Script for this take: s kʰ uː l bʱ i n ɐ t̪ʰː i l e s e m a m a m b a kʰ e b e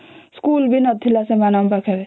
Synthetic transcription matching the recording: s k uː l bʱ i n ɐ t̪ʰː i l a s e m a n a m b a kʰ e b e